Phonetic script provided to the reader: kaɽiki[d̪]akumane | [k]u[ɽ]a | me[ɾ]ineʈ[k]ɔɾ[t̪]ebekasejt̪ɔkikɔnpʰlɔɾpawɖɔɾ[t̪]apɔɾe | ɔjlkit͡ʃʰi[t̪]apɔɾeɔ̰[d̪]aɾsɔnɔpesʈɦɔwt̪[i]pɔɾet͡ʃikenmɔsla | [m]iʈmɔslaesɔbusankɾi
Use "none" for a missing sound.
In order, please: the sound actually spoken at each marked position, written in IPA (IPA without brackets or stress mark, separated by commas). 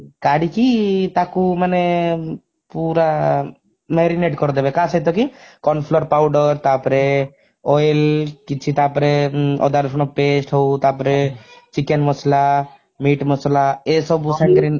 t̪, p, ɾ, ɾ, k, d̪, t̪, t̪, d̪, a, m